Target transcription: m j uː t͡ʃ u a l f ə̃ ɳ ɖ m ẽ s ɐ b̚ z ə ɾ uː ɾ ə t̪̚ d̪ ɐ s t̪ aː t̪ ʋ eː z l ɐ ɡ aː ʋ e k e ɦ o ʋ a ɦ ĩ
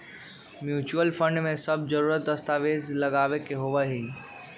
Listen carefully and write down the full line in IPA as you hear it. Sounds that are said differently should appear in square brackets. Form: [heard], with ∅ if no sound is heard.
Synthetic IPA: m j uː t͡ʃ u [ə] l f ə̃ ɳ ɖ m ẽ s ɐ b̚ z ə ɾ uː ɾ ə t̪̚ d̪ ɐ s t̪ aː [∅] ʋ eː z l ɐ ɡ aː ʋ e k e ɦ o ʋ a ɦ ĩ